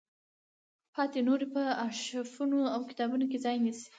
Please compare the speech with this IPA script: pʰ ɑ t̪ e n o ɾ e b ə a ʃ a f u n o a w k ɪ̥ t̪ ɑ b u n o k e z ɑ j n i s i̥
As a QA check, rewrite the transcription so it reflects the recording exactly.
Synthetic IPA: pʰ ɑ t̪ e n o ɾ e p ə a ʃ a f u n o a w k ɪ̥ t̪ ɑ b u n o k e z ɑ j n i s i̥